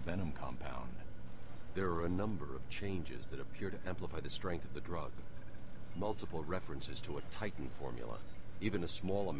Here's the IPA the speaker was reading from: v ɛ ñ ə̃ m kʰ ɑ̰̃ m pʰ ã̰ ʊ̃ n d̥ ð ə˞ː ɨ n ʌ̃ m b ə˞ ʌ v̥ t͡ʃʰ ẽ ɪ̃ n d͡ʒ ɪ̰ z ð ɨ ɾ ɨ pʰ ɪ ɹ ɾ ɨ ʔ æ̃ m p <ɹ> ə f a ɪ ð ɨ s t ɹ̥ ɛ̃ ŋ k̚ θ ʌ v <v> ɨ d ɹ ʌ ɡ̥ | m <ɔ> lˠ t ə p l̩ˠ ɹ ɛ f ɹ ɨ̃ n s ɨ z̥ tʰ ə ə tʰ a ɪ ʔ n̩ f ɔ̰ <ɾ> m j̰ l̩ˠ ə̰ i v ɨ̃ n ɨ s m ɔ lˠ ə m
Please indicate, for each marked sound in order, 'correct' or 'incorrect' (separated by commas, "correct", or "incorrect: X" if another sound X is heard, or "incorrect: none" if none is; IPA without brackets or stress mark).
incorrect: l, incorrect: ð, incorrect: ʌ, incorrect: ɹ